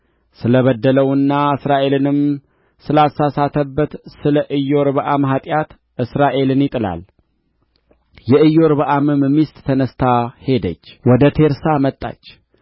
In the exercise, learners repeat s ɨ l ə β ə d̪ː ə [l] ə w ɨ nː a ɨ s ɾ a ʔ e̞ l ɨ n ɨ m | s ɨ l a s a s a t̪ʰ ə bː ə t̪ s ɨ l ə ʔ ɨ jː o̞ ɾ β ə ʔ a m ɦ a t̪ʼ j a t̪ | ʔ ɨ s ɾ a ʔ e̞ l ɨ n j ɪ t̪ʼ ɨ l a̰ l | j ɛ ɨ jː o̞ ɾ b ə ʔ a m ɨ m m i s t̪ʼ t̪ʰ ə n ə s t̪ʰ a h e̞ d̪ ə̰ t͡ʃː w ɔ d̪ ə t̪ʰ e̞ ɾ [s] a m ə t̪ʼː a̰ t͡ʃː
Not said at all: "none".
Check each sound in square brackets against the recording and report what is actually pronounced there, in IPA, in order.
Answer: l, s

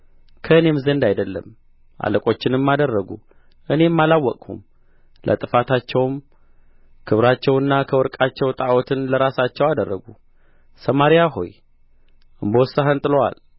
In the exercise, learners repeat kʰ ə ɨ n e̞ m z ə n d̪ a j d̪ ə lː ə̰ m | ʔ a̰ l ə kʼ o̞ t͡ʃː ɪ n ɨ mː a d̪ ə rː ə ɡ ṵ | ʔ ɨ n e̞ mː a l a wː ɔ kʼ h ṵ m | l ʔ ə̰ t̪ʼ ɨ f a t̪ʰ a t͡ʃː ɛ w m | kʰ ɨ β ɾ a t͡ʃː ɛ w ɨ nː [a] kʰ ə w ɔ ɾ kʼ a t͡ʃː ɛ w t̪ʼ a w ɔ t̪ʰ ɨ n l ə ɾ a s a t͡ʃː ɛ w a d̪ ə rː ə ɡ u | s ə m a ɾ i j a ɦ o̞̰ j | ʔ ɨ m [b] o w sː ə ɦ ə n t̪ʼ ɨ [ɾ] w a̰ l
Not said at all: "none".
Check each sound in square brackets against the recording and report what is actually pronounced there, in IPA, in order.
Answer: a, b, l

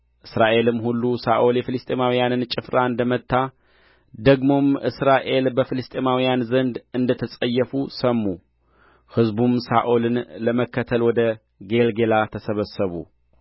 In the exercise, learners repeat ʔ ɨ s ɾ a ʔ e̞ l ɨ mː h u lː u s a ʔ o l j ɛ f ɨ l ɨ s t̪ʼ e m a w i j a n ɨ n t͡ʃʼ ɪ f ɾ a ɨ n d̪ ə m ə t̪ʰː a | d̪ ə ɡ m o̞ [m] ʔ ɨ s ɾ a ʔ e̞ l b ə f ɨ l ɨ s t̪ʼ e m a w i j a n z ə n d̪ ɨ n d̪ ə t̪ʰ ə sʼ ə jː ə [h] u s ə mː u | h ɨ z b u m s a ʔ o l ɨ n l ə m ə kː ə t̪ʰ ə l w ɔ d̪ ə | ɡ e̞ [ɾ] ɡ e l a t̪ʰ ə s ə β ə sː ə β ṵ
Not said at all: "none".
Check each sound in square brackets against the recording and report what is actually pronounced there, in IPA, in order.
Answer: m, f, l

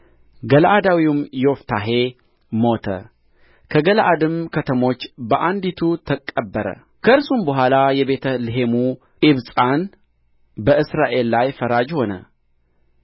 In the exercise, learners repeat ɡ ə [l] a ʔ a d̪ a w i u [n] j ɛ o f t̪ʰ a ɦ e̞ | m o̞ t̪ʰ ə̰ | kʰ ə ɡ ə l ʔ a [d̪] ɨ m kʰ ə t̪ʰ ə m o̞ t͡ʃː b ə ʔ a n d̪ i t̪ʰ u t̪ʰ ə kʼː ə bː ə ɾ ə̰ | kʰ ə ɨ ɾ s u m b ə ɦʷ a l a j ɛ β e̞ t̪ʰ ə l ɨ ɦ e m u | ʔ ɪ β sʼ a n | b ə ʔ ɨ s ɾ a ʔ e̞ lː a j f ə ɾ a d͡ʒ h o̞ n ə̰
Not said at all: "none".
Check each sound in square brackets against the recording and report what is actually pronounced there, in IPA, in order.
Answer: l, m, d̪

